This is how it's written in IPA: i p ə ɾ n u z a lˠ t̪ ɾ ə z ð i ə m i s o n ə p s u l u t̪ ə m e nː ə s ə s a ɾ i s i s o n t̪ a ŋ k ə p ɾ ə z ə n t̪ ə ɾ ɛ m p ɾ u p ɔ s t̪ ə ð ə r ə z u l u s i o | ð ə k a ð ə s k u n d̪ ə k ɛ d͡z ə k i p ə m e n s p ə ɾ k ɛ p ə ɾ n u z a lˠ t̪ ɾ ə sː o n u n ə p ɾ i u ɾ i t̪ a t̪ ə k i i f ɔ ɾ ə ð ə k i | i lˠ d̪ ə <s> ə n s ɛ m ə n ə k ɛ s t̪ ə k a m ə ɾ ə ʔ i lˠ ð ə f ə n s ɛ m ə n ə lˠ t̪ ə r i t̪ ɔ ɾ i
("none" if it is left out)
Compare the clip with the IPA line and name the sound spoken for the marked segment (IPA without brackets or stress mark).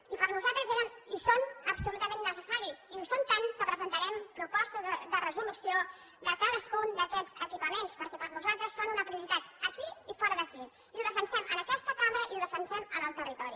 f